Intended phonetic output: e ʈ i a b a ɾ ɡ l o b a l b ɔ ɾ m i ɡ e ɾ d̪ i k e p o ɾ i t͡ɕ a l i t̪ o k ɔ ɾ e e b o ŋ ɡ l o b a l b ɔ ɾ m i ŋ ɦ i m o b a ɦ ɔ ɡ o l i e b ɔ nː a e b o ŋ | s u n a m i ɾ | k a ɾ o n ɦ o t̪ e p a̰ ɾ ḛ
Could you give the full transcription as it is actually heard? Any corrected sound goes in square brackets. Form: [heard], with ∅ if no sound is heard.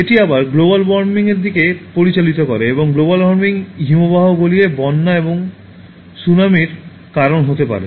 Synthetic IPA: e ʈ i a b a ɾ ɡ l o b a l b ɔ ɾ m i [ŋ] e ɾ d̪ i k e p o ɾ i t͡ɕ a l i t̪ o k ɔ ɾ e e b o ŋ ɡ l o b a l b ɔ ɾ m i ŋ ɦ i m o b a ɦ [o] ɡ o l i e b ɔ nː a e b o ŋ | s u n a m i ɾ | k a ɾ o n ɦ o t̪ e p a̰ ɾ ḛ